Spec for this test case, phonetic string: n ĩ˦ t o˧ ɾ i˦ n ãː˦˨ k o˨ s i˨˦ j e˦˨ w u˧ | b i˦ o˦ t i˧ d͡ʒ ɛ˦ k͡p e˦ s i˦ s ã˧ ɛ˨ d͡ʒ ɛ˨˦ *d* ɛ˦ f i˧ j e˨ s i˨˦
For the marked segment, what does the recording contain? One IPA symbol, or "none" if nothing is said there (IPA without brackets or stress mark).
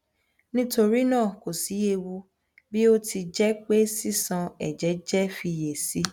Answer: d͡ʒ